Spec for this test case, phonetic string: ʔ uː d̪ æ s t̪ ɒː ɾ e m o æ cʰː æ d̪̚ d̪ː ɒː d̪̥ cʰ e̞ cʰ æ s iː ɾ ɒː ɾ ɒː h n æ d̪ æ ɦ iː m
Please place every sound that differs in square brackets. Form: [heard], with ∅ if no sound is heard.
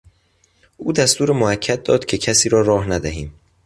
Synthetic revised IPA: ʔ uː d̪ æ s t̪ [uː] ɾ e m o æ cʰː æ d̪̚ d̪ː ɒː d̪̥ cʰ e̞ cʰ æ s iː ɾ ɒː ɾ ɒː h n æ d̪ æ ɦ iː m